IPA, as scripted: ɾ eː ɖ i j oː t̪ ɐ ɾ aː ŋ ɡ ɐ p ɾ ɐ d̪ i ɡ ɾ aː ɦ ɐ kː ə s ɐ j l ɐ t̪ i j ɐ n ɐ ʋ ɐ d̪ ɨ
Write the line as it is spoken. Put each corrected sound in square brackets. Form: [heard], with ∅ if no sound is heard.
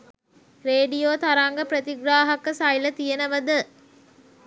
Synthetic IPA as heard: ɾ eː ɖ i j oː t̪ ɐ ɾ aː ŋ ɡ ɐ p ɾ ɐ [t̪] i ɡ ɾ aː ɦ ɐ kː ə s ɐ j l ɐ t̪ i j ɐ n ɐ ʋ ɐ d̪ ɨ